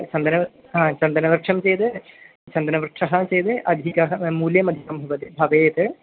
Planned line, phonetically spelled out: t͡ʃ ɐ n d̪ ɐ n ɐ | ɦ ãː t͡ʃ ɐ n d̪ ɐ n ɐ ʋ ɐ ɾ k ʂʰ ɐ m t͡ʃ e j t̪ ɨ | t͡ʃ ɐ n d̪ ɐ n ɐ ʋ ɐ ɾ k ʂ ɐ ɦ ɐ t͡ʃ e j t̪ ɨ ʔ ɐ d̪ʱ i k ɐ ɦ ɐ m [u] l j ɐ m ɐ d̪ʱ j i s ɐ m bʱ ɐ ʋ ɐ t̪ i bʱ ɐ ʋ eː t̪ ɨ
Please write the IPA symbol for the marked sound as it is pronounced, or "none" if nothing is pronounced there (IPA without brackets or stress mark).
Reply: uː